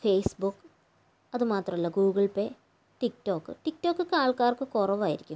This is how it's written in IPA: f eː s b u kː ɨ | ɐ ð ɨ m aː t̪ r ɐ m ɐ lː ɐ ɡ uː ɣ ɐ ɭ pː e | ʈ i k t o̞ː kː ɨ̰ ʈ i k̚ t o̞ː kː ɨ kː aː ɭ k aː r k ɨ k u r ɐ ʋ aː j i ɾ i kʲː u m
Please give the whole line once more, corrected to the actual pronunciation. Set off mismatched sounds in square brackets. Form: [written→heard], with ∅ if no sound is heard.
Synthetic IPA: f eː s b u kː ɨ | ɐ ð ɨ m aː t̪ r ɐ m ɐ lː ɐ ɡ uː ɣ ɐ ɭ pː e | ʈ i k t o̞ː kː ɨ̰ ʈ i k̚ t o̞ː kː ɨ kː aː ɭ k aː r k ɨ k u r ɐ ʋ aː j i ɾ i kʲː u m

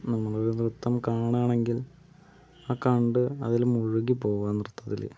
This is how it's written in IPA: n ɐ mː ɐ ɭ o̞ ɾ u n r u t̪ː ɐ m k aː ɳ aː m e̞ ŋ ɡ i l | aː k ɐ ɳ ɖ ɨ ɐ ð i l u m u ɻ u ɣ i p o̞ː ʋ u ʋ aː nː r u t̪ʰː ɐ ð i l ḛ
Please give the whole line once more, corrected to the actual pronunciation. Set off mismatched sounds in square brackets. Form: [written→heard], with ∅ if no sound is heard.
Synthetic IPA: n ɐ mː ɐ ɭ o̞ ɾ u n r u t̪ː ɐ m k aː ɳ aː [m→ɳ] e̞ ŋ ɡ i l | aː k ɐ ɳ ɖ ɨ ɐ ð i l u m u ɻ u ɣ i p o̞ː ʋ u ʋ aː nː r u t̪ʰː ɐ ð i l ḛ

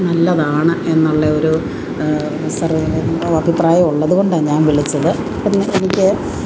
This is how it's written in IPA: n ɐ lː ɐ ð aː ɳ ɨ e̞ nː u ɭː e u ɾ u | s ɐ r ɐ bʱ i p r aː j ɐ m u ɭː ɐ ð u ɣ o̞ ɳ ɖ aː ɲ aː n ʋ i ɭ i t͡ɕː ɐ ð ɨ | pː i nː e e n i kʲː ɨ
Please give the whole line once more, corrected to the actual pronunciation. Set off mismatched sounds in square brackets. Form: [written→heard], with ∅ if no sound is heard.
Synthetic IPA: n ɐ lː ɐ ð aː ɳ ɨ e̞ nː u ɭː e [u→o] ɾ u | s ɐ r ɐ bʱ i p r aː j ɐ m u ɭː ɐ ð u ɣ o̞ ɳ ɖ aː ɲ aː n ʋ i ɭ i t͡ɕː ɐ ð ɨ | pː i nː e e n i kʲː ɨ

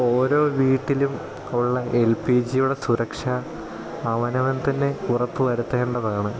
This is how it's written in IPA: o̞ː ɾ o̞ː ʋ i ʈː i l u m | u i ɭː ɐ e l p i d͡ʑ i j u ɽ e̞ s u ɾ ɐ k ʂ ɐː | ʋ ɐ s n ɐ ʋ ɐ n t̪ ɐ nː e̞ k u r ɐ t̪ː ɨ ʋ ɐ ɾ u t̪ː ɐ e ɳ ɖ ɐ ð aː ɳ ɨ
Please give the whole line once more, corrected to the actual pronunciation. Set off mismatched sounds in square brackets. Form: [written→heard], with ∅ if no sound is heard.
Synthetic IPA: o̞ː ɾ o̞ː ʋ [i→iː] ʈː i l u m | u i ɭː ɐ e l p i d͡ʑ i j u ɽ e̞ s u ɾ ɐ k ʂ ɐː | ʋ ɐ [s→∅] n ɐ ʋ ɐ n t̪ ɐ nː e̞ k u r ɐ t̪ː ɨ ʋ ɐ ɾ u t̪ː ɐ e ɳ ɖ ɐ ð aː ɳ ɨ

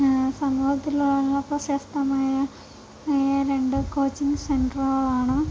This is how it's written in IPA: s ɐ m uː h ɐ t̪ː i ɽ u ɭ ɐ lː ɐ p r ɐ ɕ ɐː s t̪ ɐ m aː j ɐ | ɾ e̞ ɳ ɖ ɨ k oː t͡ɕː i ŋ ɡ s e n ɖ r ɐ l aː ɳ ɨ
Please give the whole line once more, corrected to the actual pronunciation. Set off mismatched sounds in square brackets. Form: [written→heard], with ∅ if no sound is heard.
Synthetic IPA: s ɐ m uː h ɐ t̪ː i [ɽ→l] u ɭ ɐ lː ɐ p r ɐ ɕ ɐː s t̪ ɐ m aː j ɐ | ɾ e̞ ɳ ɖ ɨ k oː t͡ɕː i ŋ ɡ s e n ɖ r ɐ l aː ɳ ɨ

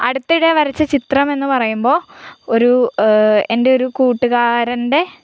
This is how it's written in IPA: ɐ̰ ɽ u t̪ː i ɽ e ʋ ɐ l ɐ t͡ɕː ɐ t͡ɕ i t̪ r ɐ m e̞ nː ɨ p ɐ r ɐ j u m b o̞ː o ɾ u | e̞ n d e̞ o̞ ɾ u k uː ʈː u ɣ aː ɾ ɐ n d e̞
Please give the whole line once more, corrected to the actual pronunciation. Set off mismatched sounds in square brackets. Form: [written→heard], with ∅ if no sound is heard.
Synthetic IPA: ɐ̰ ɽ u t̪ː i ɽ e ʋ ɐ [l→ɾ] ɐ t͡ɕː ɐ t͡ɕ i t̪ r ɐ m e̞ nː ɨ p ɐ r ɐ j u m b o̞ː o ɾ u | e̞ n d e̞ o̞ ɾ u k uː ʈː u ɣ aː ɾ ɐ n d e̞

